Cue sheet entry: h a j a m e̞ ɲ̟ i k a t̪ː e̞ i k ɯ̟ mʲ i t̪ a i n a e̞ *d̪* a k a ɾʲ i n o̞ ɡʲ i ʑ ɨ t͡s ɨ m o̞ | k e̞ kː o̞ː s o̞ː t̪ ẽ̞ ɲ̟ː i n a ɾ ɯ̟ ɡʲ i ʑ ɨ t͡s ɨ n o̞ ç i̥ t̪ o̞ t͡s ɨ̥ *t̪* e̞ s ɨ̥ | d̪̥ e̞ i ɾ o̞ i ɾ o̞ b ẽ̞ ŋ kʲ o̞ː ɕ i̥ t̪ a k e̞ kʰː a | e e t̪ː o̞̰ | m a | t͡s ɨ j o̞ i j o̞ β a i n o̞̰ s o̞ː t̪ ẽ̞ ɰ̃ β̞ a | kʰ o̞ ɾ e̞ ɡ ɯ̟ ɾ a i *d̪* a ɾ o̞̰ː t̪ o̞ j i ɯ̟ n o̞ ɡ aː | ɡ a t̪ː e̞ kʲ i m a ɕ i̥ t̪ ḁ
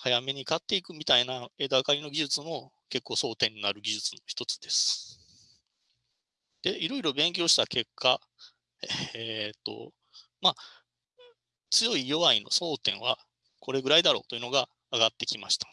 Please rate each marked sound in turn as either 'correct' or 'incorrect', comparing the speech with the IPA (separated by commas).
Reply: correct, incorrect, correct